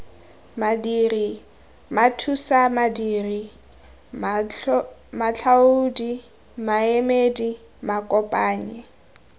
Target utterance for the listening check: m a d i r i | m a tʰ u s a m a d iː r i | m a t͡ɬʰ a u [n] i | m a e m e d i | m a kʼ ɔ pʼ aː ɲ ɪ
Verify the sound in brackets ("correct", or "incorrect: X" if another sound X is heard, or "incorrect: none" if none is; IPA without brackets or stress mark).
incorrect: d